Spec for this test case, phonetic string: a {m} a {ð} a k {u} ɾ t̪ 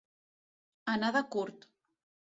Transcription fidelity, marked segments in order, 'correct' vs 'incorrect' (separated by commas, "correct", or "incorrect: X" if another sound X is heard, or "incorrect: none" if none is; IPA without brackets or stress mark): incorrect: n, correct, correct